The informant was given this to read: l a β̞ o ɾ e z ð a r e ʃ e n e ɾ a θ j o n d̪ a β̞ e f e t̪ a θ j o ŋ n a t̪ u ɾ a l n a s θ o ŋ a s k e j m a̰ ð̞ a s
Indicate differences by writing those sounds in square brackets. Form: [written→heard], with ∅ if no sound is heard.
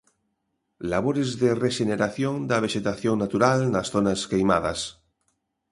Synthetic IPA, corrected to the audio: l a β̞ o ɾ e z ð [a→e] r e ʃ e n e ɾ a θ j o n d̪ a β̞ e [f→ʃ] e t̪ a θ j o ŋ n a t̪ u ɾ a l n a s θ o [ŋ→n] a s k e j m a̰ ð̞ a s